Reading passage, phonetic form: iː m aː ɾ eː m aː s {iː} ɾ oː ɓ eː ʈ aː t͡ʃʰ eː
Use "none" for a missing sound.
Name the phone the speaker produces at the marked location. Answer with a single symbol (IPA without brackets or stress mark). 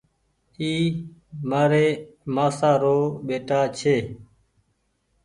aː